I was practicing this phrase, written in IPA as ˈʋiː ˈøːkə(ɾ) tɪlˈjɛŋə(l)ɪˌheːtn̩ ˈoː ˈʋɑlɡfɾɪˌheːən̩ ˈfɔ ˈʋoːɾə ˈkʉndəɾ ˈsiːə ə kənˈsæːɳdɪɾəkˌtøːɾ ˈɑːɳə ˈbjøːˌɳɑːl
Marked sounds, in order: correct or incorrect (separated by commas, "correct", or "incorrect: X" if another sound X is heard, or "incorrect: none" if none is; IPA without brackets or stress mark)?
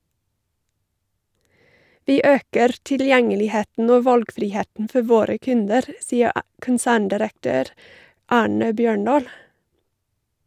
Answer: correct, correct